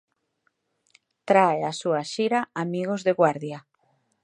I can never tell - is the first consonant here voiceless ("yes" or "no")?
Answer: yes